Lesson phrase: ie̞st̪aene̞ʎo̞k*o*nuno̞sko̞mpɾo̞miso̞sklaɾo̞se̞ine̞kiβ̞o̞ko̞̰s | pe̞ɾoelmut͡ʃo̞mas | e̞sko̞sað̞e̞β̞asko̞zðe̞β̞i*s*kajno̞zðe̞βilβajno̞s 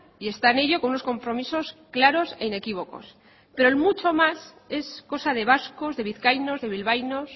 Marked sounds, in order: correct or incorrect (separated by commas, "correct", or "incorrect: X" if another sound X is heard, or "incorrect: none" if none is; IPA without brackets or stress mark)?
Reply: correct, incorrect: θ